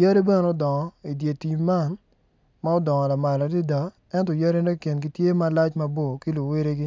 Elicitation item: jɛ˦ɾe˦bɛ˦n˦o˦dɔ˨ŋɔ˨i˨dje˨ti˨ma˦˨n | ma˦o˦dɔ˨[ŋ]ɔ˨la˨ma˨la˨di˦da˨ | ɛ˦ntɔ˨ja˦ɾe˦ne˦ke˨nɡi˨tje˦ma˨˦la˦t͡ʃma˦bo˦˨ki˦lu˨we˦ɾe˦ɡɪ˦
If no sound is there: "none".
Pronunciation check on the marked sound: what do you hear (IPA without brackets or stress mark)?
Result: ŋ